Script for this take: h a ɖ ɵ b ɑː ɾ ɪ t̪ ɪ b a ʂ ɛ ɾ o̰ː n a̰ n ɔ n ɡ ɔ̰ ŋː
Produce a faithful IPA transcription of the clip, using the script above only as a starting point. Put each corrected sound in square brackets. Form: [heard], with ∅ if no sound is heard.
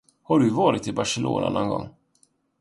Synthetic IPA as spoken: h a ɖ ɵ [v] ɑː ɾ ɪ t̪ ɪ b a ʂ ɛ [l] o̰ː n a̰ n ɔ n ɡ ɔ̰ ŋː